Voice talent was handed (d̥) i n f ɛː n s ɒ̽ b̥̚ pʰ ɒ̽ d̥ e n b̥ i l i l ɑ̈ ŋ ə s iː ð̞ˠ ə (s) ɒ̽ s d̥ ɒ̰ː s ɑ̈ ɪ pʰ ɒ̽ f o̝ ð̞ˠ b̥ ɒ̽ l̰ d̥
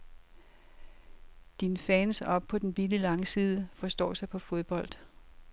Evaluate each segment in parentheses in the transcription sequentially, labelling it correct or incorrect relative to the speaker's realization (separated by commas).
correct, incorrect